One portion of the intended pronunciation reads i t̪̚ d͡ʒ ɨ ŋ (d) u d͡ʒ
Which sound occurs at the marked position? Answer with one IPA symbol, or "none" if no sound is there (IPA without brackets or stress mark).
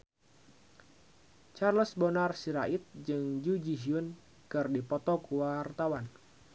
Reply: d͡ʒ